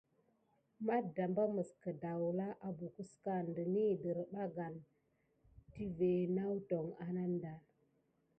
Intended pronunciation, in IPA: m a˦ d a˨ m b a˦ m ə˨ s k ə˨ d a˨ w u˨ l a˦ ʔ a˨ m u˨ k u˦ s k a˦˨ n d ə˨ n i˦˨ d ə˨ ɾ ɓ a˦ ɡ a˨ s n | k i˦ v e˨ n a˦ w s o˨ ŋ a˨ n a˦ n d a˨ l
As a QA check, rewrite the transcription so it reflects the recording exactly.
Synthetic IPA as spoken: m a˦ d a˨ m b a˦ m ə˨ s k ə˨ d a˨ w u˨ l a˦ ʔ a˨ b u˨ k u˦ s k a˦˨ n d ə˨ n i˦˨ d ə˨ ɾ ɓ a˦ ɡ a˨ n | t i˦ v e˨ n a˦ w t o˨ ŋ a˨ n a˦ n d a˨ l